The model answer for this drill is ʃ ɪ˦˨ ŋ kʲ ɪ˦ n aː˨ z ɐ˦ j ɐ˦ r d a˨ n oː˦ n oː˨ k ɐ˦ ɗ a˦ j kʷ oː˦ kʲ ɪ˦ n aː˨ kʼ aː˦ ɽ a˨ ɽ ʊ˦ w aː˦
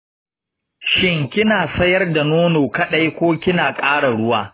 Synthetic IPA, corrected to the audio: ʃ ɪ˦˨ ŋ kʲ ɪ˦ n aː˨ s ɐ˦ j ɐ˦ r d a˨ n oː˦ n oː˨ k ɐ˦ ɗ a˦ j kʷ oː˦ kʲ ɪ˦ n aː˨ kʼ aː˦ ɽ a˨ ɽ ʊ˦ w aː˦